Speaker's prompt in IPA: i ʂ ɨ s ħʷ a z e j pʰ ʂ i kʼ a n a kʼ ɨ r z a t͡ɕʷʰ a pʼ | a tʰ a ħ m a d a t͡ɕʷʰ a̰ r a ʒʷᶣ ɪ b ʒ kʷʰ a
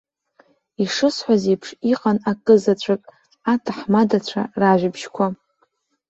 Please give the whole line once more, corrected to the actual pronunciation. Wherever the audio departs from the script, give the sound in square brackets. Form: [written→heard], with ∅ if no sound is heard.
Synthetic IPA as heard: i ʂ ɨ s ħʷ a z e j pʰ ʂ i [kʼ→qʼ] a n a kʼ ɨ [r→∅] z a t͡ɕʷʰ a [pʼ→kʼ] | a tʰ a ħ m a d a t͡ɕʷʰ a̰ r a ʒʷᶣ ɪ b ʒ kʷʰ a

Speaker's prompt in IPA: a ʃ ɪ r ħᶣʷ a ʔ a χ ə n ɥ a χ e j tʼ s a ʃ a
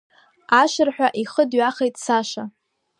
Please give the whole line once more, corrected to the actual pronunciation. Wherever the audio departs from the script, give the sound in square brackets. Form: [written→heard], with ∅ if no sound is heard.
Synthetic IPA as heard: a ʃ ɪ r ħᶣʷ a ʔ [a→i] χ ə [n→d] ɥ a χ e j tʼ s a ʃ a

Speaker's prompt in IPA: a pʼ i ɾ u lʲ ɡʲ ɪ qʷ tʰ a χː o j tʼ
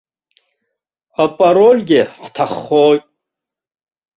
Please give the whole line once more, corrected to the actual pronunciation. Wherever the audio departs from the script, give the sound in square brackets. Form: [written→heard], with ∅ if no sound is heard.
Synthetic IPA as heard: a pʼ [i→a] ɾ [u→o] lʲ ɡʲ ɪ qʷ tʰ a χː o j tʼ

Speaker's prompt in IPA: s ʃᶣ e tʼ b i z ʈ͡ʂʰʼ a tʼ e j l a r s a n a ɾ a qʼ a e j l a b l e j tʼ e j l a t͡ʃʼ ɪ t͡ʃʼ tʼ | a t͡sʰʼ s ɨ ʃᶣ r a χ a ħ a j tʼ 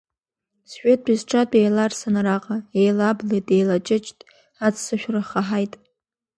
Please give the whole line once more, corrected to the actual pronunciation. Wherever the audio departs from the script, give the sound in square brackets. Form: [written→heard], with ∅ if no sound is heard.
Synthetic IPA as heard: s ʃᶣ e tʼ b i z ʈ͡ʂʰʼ a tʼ e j l a r s a n a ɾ a qʼ a e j l a b l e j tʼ e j l a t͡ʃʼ ɪ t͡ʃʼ tʼ | a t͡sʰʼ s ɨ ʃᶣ r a χ a ħ a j tʼ

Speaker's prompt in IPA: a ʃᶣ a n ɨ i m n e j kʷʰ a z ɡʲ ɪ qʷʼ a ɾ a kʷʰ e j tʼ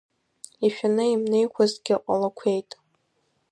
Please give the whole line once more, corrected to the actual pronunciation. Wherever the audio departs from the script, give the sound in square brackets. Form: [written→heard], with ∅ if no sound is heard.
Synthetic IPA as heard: [a→i] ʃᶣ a n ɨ i m n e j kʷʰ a z ɡʲ ɪ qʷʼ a [ɾ→l] a kʷʰ e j tʼ

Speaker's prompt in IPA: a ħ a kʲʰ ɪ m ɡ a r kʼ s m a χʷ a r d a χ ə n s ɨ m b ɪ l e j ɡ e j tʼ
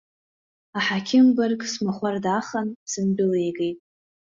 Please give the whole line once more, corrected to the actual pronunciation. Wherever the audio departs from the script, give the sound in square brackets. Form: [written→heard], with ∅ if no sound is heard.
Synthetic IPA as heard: a ħ a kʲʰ ɪ m [ɡ→b] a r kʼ s m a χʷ a r d a χ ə n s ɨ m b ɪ l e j ɡ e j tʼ

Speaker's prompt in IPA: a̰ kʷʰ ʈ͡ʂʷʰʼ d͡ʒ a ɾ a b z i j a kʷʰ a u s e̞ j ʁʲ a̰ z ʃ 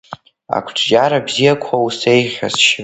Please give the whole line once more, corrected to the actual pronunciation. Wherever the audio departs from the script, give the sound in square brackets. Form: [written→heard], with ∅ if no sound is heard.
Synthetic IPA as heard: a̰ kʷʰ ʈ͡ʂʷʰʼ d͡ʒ a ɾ a b z i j a kʷʰ a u s e̞ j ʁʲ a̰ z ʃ

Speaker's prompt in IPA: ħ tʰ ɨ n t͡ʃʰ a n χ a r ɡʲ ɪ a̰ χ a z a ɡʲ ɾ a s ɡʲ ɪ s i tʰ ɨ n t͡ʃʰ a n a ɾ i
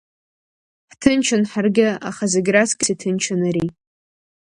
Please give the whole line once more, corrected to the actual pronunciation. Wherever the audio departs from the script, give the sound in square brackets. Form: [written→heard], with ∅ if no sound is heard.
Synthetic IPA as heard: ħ tʰ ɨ n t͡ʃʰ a n [χ→ħ] a r ɡʲ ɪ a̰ χ a z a ɡʲ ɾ a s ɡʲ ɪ s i tʰ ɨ n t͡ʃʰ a n a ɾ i

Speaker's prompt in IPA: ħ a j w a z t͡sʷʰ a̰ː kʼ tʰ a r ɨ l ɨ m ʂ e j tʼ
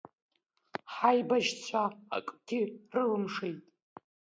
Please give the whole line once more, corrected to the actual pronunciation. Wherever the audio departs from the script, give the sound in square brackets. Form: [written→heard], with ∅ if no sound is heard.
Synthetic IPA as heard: ħ a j [w→b] a [z→ʒ] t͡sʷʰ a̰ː kʼ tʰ [a→i] r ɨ l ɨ m ʂ e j tʼ

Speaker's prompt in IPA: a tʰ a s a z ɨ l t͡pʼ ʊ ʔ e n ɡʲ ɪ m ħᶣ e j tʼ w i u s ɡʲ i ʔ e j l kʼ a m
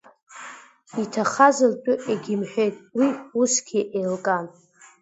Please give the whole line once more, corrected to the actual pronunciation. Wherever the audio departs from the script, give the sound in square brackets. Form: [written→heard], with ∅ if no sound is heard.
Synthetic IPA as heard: [a→i] tʰ a [s→χ] a z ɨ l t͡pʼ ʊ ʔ e [n→∅] ɡʲ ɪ m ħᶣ e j tʼ w i u s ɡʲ i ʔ e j l kʼ a [m→n]

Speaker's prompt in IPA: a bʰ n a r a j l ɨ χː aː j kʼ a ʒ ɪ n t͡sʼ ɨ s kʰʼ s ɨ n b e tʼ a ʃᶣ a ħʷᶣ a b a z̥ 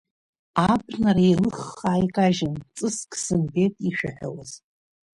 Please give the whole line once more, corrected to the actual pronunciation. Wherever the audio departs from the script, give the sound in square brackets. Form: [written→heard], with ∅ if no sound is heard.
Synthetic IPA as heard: a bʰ n a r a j l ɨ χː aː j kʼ a ʒ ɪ n t͡sʼ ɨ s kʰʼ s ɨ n b e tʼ [a→i] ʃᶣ a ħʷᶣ a [b→w] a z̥

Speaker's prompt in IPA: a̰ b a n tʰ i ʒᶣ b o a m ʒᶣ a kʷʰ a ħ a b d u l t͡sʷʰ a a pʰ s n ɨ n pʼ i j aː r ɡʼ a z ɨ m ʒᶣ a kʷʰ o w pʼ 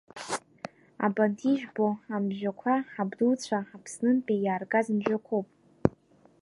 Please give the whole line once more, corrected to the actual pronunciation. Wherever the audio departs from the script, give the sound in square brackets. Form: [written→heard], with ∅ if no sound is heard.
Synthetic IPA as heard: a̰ b a n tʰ i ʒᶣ b o a m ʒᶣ a kʷʰ a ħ a b d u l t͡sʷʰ a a pʰ s n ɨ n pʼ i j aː r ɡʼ a z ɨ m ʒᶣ a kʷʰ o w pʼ

